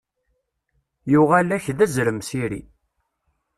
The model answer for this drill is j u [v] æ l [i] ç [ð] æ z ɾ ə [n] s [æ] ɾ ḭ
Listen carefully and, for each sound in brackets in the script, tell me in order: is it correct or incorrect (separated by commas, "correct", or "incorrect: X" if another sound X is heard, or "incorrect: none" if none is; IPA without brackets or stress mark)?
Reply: incorrect: ʁ, incorrect: æ, correct, incorrect: m, incorrect: i